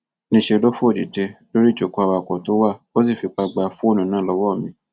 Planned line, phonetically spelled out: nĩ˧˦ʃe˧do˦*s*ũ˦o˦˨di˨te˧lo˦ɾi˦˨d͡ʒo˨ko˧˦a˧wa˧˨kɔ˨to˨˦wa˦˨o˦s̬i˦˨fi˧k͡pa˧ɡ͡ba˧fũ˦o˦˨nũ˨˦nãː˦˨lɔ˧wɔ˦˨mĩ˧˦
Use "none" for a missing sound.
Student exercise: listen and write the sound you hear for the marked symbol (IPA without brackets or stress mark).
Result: f